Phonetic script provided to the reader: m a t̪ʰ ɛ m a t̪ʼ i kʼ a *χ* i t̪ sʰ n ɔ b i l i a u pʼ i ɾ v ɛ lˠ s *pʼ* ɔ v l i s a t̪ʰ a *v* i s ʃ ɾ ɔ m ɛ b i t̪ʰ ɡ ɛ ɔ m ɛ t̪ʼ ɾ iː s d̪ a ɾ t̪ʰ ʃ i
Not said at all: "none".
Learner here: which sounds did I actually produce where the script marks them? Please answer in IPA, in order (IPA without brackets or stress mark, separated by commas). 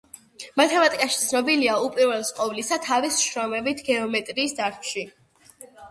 ʃ, qʼ, v